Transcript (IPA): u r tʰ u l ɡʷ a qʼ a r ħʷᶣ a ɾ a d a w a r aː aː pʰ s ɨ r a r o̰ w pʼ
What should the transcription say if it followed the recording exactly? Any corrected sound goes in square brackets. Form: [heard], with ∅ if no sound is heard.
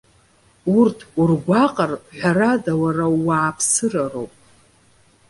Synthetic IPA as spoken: u r tʰ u [r] ɡʷ a qʼ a r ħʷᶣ a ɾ a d a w a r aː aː pʰ s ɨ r a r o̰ w pʼ